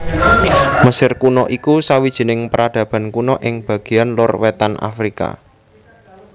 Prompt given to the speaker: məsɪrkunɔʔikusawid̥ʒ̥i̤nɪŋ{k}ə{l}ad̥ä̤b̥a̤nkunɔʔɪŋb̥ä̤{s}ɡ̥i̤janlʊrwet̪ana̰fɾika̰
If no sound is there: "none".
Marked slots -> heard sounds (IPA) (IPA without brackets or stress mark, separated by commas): p, ɾ, none